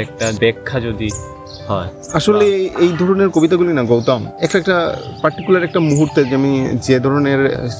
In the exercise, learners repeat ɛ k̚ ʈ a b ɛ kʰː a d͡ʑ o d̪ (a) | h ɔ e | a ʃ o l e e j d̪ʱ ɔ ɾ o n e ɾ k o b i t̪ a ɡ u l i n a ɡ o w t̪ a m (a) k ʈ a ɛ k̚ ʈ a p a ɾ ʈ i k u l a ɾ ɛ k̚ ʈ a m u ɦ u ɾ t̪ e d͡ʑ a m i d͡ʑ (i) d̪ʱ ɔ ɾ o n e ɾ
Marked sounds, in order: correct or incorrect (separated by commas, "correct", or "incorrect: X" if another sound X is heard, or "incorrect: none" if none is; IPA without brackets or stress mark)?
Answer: incorrect: i, incorrect: ɛ, incorrect: e